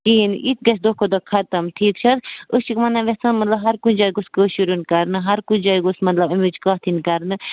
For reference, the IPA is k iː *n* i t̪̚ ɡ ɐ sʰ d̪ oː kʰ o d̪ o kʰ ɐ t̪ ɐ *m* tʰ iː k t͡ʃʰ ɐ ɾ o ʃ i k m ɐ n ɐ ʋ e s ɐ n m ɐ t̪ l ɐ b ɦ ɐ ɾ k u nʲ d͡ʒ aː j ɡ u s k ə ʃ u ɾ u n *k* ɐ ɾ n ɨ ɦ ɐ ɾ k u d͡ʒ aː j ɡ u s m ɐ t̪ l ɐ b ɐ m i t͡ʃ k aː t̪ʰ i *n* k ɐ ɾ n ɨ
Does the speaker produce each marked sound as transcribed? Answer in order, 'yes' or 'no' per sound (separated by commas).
yes, yes, yes, yes